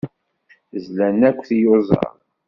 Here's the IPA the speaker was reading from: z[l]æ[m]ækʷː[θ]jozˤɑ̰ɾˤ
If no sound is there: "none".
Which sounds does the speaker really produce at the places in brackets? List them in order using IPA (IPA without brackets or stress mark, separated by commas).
l, n, θ